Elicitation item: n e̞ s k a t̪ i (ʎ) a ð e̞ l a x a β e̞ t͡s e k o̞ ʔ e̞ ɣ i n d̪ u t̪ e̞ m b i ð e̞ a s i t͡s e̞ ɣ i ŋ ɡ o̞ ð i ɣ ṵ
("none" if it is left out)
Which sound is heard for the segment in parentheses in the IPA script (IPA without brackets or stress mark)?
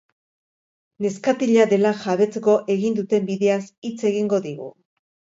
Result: ʎ